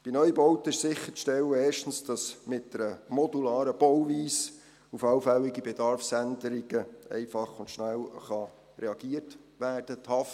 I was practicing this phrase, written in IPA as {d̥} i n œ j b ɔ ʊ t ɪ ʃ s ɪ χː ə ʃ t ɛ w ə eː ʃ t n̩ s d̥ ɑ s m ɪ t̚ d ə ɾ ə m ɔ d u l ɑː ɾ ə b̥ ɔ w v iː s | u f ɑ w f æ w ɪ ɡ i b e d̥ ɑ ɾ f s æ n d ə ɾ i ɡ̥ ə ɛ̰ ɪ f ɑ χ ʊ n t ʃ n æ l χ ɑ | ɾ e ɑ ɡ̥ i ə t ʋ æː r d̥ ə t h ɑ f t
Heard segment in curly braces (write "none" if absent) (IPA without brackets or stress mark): b̥